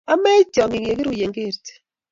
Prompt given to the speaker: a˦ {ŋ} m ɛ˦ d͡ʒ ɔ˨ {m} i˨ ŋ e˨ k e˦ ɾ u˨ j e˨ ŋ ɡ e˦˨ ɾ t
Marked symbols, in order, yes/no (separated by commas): no, no